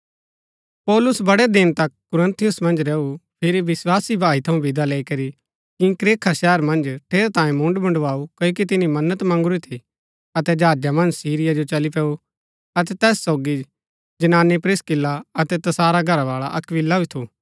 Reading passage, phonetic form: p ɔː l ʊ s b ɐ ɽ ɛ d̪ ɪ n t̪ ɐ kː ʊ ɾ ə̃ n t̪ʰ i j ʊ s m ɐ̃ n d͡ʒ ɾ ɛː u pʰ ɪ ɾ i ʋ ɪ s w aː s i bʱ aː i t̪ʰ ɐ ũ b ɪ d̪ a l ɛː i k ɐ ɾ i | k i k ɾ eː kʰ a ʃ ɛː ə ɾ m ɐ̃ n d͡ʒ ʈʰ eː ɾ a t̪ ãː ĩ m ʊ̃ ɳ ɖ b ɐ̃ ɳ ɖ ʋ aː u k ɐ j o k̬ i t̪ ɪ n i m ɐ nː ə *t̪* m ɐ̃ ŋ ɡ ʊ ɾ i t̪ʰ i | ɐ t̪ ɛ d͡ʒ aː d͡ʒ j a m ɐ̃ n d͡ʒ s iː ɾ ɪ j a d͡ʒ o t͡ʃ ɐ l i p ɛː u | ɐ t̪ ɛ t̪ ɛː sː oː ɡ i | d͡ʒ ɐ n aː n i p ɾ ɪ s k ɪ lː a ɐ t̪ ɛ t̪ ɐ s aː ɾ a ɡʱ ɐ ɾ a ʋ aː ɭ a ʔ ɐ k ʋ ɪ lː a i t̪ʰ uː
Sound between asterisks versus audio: correct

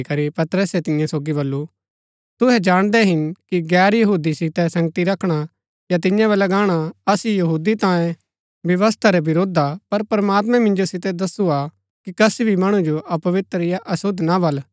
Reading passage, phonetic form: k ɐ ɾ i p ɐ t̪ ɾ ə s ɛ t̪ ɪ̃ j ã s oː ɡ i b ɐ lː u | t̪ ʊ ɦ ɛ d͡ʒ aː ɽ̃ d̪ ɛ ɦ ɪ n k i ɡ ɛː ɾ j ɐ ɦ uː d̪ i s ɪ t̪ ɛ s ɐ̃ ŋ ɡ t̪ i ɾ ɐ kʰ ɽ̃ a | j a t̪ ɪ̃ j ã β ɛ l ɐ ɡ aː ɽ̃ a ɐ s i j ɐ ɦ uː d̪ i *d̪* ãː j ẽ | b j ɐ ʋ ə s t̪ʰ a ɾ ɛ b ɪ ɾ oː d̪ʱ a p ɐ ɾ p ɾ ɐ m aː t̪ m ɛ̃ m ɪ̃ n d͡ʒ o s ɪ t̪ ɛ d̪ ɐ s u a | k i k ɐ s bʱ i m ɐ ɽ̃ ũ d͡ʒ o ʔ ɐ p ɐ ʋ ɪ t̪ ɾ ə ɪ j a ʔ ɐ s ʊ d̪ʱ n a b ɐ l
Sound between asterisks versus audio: incorrect: t̪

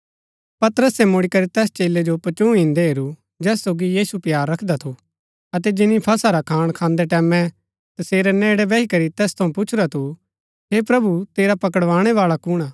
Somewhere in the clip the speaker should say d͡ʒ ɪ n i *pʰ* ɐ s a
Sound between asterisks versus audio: correct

